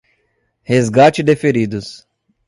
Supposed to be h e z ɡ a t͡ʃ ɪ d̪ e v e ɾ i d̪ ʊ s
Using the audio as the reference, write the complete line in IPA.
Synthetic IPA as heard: h e z ɡ a t͡ʃ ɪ d̪ e f e ɾ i d̪ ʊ s